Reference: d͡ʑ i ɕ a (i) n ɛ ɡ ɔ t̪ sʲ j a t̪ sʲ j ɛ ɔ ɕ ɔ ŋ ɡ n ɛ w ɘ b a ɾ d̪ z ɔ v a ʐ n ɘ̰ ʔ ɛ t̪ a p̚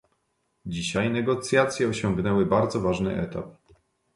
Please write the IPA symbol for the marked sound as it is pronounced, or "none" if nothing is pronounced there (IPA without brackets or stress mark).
j